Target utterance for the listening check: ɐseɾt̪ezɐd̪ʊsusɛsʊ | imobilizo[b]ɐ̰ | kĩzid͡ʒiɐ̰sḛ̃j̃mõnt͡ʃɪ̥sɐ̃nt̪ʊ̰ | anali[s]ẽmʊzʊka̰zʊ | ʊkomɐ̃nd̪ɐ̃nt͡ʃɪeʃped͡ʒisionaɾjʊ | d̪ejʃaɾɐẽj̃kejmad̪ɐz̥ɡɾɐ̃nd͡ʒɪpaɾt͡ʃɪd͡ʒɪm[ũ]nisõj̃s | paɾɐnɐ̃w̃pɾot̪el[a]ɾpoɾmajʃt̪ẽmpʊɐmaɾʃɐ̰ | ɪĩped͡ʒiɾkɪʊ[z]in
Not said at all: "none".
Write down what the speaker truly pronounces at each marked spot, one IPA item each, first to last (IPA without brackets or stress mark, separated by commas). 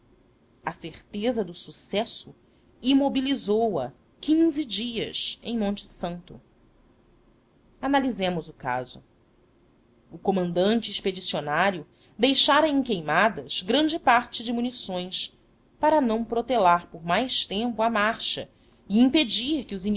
w, z, u, a, z